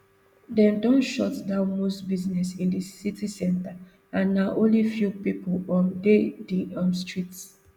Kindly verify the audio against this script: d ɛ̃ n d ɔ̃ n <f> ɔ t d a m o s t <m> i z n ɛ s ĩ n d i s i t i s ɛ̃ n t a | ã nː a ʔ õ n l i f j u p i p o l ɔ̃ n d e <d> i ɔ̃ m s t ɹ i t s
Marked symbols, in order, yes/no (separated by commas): no, no, yes